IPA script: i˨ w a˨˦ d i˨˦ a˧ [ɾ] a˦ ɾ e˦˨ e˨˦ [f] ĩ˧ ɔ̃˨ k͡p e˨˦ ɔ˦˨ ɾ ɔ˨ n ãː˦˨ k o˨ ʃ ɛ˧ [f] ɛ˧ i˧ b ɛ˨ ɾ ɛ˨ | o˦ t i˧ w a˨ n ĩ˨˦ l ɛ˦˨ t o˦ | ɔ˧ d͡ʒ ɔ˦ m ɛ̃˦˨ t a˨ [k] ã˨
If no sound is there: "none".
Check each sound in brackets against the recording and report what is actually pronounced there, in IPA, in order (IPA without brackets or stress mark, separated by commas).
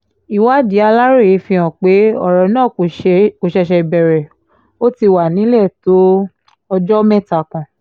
l, f, ʃ, k